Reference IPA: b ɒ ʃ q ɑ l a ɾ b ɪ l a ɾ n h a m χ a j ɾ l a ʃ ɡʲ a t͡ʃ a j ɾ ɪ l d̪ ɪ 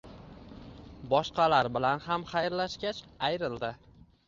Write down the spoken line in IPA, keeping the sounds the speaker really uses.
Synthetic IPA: b ɒ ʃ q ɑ l a ɾ b ɪ l a n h a m χ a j ɾ l a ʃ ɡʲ a t͡ʃ a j ɾ ɪ l d̪ ɪ